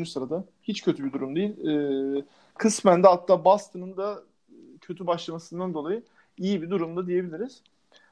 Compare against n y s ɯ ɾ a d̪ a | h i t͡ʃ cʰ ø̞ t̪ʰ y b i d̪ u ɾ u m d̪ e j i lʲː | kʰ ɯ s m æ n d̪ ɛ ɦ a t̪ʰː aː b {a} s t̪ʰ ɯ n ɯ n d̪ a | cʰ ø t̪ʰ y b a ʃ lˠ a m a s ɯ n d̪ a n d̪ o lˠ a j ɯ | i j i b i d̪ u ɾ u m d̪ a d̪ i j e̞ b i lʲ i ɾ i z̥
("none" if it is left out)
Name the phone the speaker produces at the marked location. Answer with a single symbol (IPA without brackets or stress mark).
a